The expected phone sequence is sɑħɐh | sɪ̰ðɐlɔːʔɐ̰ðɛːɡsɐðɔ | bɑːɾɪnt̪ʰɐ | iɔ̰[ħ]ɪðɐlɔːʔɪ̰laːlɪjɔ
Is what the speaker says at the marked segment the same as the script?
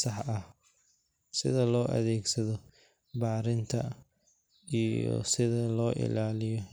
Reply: no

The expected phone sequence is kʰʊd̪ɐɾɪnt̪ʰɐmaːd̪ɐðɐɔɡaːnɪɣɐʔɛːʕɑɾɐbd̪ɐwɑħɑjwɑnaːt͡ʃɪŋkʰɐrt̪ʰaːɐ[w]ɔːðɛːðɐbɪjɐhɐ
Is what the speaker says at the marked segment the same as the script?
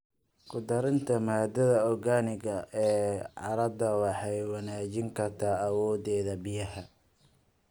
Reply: yes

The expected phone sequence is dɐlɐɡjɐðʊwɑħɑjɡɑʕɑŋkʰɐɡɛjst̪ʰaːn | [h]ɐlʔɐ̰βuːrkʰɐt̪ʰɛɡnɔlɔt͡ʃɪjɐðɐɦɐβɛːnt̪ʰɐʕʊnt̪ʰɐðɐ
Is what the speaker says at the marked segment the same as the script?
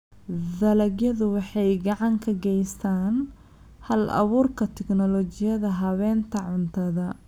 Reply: yes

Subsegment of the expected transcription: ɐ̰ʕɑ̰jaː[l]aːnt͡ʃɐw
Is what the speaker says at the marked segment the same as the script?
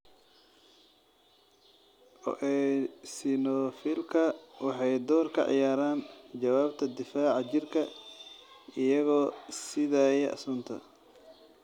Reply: no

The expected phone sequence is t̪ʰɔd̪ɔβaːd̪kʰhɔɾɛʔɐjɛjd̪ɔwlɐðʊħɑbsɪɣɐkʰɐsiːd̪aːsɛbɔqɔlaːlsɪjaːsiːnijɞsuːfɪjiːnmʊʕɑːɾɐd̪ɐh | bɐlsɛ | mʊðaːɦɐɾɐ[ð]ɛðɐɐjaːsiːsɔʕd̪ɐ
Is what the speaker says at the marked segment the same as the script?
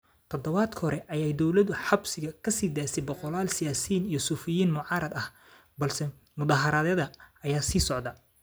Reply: yes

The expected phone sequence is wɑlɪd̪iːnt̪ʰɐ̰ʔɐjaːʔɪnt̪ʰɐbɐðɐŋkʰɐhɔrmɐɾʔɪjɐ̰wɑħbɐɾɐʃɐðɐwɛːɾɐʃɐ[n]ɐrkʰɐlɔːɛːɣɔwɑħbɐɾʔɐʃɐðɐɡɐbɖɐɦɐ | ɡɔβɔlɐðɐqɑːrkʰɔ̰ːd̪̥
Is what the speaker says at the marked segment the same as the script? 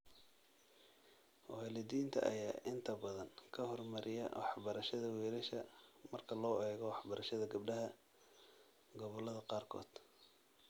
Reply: no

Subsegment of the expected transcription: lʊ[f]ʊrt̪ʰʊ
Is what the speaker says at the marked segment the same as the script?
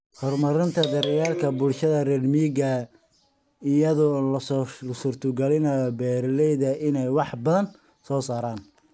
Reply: no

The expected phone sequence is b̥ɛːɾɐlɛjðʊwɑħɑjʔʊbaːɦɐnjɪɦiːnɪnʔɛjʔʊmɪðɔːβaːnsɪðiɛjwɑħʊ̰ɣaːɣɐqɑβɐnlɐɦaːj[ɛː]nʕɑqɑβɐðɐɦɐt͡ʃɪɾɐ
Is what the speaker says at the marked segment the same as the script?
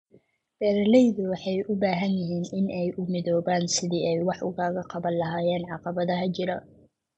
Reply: yes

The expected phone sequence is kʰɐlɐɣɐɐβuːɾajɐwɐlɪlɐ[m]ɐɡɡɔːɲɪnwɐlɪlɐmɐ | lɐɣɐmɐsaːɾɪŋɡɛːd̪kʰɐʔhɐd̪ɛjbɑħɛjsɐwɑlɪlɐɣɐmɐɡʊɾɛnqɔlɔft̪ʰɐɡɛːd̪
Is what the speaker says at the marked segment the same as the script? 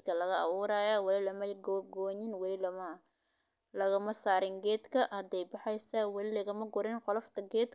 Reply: yes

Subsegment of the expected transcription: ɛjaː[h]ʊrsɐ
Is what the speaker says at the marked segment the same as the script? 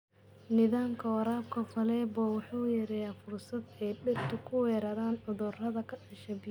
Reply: no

